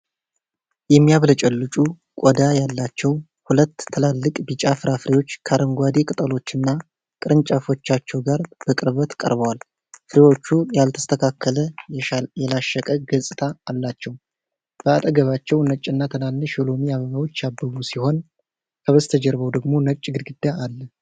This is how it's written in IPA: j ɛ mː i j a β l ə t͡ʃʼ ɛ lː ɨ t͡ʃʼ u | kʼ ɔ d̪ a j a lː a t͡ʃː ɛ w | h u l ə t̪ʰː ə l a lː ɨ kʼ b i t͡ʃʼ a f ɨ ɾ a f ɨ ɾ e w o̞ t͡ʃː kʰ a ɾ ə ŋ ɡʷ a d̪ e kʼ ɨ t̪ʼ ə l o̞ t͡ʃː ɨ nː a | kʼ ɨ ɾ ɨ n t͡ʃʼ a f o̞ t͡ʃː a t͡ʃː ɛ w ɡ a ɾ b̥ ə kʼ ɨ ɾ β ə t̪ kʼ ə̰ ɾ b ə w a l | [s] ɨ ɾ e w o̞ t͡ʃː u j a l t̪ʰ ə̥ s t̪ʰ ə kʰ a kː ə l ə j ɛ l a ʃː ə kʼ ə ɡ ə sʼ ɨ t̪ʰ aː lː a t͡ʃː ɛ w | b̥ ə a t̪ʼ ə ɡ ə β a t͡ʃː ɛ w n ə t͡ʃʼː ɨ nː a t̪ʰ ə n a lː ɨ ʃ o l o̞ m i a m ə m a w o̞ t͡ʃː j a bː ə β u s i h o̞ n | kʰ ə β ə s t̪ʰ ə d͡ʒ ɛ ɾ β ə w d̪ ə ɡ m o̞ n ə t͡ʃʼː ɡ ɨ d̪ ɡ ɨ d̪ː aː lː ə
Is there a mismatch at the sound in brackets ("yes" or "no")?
yes